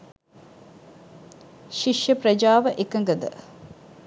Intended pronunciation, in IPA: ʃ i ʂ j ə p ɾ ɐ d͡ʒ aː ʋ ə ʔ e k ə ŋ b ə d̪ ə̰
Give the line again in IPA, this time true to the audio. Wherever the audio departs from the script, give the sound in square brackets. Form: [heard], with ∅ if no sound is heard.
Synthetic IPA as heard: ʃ i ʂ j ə p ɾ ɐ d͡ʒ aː ʋ ə ʔ e k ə ŋ [ɡ] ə d̪ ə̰